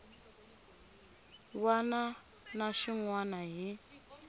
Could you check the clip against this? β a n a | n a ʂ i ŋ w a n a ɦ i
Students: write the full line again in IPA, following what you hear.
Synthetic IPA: w a n a | n a ʃ i ŋ w a n a ɦ i